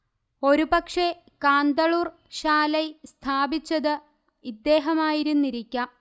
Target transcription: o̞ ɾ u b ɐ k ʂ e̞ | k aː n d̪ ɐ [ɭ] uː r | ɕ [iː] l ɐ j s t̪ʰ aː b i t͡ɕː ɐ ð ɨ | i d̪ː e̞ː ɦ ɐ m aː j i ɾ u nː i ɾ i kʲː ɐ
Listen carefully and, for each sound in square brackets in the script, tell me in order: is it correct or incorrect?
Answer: correct, incorrect

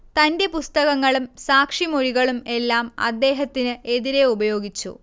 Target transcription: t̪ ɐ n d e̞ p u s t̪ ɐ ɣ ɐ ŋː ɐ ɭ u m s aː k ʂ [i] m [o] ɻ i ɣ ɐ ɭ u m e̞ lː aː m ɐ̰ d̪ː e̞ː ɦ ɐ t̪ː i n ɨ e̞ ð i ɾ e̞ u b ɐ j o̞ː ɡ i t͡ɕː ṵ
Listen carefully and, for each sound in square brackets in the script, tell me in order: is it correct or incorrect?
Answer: correct, correct

